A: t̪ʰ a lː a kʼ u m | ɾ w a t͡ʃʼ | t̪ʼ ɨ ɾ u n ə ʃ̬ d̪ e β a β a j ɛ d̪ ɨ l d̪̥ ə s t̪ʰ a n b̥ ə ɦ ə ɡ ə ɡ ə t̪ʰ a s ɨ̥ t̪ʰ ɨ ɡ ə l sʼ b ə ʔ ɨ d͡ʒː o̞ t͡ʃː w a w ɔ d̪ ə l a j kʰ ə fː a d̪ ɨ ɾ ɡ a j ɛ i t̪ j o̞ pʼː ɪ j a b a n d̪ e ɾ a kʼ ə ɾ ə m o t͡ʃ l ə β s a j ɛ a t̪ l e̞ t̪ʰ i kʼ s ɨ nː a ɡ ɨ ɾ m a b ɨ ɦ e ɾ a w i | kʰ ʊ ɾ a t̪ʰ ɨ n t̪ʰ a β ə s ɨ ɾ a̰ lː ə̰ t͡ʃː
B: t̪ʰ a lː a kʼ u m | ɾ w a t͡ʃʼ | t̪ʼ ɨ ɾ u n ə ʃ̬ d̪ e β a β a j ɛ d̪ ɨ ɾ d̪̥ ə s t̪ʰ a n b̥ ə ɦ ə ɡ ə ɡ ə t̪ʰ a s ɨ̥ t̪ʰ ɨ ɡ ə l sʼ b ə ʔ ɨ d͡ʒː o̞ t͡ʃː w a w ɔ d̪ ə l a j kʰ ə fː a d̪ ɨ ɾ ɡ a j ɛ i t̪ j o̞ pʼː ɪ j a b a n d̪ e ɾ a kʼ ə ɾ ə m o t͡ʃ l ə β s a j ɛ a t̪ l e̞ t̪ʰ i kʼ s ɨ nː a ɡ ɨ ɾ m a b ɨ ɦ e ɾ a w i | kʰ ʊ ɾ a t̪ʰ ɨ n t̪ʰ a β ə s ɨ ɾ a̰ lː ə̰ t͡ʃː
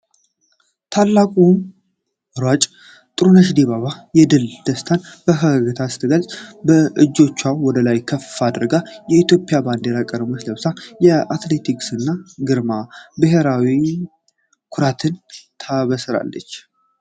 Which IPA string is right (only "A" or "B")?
A